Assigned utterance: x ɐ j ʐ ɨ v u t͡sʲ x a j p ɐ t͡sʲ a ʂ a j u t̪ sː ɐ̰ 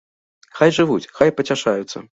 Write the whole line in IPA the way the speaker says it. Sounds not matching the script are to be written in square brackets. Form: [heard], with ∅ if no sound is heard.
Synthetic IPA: x [a] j ʐ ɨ v u t͡sʲ x a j p ɐ t͡sʲ a ʂ a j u t̪ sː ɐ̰